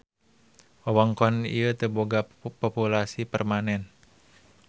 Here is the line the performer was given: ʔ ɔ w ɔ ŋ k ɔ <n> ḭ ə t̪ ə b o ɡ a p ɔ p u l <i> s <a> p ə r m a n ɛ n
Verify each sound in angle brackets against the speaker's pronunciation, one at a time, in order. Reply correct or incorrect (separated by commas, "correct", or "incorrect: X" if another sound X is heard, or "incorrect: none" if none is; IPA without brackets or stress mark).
correct, incorrect: a, incorrect: i